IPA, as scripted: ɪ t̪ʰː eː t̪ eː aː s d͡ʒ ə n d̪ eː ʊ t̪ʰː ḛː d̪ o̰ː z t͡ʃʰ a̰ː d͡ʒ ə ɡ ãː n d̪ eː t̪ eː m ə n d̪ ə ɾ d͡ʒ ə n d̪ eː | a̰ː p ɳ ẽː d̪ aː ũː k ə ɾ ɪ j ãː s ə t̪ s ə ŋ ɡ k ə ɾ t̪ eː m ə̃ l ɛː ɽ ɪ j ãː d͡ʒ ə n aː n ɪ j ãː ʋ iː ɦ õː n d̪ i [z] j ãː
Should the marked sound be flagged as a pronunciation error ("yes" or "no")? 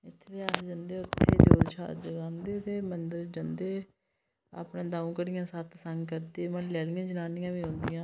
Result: yes